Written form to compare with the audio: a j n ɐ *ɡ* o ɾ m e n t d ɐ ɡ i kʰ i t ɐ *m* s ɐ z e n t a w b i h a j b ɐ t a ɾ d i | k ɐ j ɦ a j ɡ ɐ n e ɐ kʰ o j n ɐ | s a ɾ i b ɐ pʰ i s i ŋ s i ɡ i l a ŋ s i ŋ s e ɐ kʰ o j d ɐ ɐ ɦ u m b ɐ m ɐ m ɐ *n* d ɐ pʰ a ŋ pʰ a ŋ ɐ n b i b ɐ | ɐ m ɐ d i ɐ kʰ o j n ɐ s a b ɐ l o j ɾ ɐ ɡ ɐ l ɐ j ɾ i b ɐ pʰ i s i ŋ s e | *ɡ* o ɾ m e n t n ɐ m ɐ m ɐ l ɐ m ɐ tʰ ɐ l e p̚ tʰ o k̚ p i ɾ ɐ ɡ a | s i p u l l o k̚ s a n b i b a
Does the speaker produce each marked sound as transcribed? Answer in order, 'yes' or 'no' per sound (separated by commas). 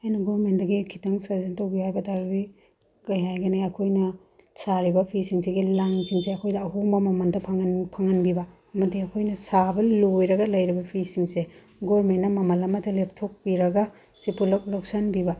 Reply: yes, no, yes, yes